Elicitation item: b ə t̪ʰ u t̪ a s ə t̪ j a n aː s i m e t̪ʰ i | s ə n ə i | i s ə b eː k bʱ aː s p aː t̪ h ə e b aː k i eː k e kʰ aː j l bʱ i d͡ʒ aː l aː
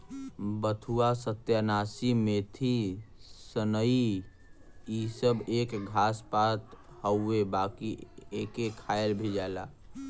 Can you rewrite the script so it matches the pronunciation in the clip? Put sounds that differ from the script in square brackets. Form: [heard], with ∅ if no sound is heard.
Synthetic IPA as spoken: b ə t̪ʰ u [∅] a s ə t̪ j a n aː s i m e t̪ʰ i | s ə n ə i | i s ə b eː k [ɡʱ] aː s p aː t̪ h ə e b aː k i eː k e kʰ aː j l bʱ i d͡ʒ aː l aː